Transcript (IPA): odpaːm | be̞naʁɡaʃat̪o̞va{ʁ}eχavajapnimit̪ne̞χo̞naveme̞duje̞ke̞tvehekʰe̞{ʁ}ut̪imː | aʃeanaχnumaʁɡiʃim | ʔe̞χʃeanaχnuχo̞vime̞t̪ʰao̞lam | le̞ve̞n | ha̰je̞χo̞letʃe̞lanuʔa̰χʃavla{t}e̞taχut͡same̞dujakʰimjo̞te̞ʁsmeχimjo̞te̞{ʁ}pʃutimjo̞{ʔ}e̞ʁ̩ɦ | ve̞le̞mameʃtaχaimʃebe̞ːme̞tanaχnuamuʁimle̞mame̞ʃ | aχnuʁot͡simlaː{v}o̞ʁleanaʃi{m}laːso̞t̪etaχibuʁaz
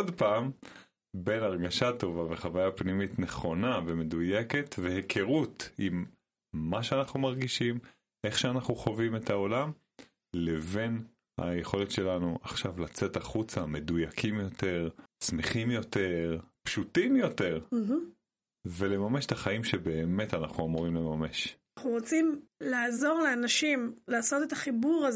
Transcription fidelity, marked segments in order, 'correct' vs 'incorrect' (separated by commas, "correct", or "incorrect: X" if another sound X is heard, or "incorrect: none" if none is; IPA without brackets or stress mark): incorrect: v, correct, incorrect: t͡s, correct, incorrect: t, incorrect: z, correct